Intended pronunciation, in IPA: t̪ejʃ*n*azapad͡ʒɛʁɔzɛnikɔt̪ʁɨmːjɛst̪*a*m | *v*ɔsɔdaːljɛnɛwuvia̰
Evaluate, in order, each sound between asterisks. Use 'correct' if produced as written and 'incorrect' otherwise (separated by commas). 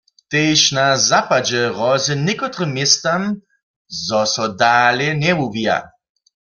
correct, correct, incorrect